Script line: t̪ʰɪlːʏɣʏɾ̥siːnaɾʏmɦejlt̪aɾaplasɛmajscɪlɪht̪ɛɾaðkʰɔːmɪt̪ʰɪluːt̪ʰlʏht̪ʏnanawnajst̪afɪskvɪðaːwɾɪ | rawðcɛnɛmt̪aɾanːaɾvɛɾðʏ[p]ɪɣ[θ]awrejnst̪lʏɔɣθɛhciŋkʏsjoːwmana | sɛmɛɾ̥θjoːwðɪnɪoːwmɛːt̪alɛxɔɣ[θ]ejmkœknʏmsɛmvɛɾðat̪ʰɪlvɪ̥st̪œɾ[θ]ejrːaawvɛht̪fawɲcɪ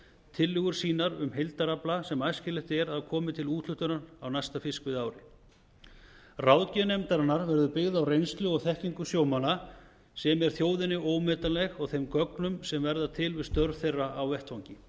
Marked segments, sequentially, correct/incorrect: correct, incorrect, correct, correct

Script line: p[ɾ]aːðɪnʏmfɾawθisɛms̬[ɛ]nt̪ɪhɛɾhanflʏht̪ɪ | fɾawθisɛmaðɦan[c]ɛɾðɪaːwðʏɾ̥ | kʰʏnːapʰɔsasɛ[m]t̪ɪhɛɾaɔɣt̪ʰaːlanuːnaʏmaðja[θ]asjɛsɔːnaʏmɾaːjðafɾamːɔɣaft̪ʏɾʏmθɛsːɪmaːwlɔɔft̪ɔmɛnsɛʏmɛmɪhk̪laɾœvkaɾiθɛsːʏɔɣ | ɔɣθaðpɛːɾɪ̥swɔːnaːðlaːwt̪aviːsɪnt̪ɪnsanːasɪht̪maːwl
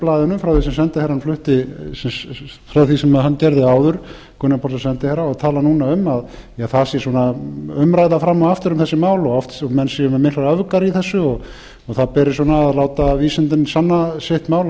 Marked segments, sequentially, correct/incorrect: incorrect, correct, correct, incorrect, correct

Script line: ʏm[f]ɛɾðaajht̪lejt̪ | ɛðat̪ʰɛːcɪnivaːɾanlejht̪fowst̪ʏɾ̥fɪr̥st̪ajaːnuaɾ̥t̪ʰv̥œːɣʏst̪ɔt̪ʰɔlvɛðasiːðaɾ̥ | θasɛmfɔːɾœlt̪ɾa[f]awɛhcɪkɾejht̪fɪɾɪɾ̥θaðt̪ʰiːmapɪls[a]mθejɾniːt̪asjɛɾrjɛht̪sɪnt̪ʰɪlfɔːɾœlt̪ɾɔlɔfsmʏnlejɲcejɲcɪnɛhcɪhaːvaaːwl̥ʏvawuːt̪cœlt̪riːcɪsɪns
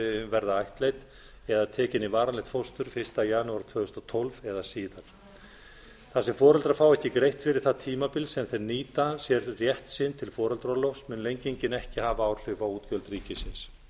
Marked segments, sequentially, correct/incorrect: incorrect, correct, incorrect

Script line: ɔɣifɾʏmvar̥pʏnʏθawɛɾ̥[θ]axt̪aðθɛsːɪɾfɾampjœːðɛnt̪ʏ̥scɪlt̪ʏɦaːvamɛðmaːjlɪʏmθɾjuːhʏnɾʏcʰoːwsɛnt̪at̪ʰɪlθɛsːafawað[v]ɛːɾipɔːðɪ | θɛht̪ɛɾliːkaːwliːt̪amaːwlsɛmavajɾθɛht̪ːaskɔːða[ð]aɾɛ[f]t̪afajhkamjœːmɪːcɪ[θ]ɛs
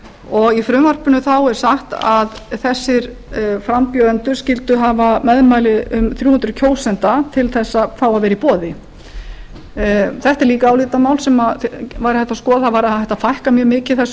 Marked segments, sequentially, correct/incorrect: incorrect, correct, incorrect, incorrect, correct

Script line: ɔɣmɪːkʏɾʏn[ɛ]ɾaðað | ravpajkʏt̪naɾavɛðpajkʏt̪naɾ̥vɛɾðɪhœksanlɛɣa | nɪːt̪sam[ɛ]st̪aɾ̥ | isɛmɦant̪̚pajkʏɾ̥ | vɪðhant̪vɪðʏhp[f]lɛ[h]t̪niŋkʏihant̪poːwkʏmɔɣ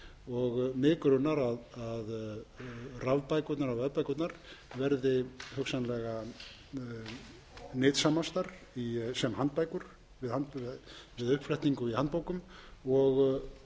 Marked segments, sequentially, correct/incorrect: incorrect, incorrect, correct, correct

